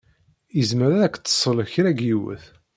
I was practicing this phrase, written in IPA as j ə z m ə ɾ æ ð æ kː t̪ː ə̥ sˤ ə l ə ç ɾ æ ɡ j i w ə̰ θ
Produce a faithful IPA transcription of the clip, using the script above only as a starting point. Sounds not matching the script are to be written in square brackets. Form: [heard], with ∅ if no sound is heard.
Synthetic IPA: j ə z m ə ɾ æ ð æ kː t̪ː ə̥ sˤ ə l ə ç ɾ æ ɡ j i w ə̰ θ

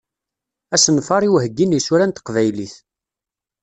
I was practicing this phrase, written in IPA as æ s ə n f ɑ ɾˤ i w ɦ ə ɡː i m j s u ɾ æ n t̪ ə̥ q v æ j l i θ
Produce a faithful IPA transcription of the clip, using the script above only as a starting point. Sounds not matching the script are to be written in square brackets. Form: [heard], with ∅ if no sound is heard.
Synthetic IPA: æ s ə n f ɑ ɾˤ i w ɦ ə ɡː i [n] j s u ɾ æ n t̪ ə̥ q v æ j l i θ

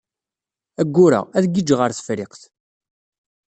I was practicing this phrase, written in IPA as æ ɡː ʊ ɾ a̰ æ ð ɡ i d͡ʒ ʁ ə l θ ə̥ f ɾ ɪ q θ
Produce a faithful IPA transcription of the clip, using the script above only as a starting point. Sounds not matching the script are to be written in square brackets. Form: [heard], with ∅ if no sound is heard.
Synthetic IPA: æ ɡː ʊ ɾ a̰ æ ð ɡ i d͡ʒ ʁ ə [ɾ] θ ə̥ f ɾ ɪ q θ

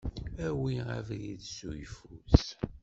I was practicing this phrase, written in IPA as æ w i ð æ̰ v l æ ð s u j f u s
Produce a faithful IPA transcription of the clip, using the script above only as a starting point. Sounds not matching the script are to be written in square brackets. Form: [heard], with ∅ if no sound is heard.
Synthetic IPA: æ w i [ʁ] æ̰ v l [i] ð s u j f u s

